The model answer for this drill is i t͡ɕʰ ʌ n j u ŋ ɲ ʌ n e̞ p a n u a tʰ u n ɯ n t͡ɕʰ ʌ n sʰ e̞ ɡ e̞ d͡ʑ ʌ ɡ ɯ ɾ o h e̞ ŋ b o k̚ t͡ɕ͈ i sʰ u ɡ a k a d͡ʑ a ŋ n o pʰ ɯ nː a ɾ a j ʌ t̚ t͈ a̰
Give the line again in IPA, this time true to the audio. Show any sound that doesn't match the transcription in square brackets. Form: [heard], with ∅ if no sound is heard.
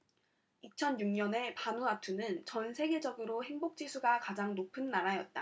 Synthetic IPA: i t͡ɕʰ ʌ n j u ŋ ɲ ʌ n e̞ p a n u a tʰ u n ɯ n [t͡ɕ] ʌ n sʰ e̞ ɡ e̞ d͡ʑ ʌ ɡ ɯ ɾ o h e̞ ŋ b o k̚ t͡ɕ͈ i sʰ u ɡ a k a d͡ʑ a ŋ n o pʰ ɯ nː a ɾ a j ʌ t̚ t͈ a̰